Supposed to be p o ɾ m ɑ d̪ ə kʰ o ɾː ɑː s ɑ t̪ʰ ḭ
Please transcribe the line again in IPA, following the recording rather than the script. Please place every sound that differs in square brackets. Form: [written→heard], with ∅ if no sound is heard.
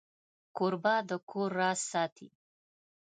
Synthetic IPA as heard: [p→k] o ɾ [m→b] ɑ d̪ ə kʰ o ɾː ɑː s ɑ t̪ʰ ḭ